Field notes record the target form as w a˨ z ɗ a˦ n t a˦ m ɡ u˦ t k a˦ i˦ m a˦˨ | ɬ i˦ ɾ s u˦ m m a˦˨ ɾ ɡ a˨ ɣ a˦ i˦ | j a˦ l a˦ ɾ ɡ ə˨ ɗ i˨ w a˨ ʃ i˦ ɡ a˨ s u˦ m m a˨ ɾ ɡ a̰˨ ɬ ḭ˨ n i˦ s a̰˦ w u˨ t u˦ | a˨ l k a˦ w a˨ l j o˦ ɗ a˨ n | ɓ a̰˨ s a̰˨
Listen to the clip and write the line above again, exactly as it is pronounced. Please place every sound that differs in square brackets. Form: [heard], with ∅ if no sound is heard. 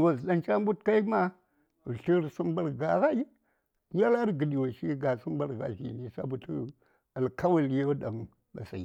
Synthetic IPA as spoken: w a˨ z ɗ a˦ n [t͡ʃ] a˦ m [b] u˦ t k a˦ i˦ m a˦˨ | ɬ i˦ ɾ s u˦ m [b] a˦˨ ɾ ɡ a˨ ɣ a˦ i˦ | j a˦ l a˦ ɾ ɡ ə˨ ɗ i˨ w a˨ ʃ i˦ ɡ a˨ s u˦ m [b] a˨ ɾ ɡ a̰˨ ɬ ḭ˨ n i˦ s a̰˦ [b] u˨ t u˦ | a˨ l k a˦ w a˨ l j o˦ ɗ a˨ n | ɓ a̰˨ s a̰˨